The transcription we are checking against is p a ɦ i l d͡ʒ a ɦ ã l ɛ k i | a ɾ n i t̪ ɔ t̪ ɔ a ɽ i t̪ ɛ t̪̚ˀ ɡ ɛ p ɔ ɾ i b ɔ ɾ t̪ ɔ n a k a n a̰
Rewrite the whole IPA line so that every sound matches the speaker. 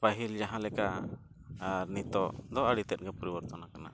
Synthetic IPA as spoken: p a ɦ i l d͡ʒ a ɦ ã l ɛ k a | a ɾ n i t̪ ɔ d̪ ɔ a ɽ i t̪ ɛ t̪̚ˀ ɡ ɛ p ɔ ɾ i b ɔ ɾ t̪ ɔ n a k a n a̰